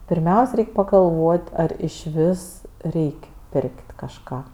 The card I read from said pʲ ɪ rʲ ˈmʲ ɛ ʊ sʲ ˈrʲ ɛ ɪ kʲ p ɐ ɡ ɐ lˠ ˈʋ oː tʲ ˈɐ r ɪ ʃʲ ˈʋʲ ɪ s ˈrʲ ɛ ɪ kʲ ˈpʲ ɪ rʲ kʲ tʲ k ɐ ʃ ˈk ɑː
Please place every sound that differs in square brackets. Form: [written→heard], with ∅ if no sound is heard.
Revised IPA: pʲ ɪ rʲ ˈmʲ ɛ ʊ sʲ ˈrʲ ɛ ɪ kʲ p ɐ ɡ ɐ lˠ ˈʋ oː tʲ ˈɐ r ɪ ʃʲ ˈʋʲ ɪ s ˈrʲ ɛ ɪ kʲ ˈpʲ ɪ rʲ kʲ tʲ k ɐ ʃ ˈk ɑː